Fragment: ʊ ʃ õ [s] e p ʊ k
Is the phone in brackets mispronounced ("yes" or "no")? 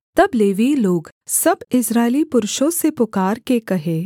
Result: no